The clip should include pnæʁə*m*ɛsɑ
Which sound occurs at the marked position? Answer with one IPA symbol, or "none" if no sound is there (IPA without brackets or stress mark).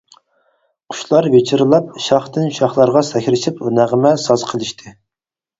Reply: m